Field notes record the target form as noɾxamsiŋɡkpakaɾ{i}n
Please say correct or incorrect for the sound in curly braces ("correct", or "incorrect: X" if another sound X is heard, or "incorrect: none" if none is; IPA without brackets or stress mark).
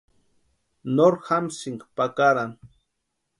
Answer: incorrect: a